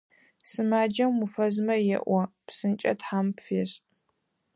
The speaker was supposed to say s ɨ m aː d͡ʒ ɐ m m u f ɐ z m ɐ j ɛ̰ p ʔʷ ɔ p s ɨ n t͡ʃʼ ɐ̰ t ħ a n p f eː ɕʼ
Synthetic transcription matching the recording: s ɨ m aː d͡ʒ ɐ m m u f ɐ z m ɐ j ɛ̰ ʔʷ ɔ p s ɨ n t͡ʃʼ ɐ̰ t ħ a m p f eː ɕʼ